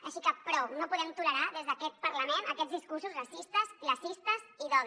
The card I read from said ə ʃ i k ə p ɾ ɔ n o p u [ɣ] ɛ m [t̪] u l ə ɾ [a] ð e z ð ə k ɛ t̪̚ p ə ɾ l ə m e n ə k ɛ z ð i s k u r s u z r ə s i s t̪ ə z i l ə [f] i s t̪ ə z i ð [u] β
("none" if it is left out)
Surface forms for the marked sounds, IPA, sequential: ð, t̪, a, s, ɔ

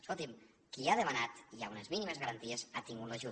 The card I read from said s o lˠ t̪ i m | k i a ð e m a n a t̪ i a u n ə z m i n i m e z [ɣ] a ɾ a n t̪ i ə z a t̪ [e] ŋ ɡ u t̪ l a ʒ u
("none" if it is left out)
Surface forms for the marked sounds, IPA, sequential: ɣ, i

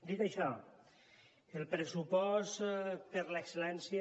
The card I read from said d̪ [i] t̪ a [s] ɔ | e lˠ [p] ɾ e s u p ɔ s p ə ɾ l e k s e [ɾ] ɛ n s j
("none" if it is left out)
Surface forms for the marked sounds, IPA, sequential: i, ʃ, p, l

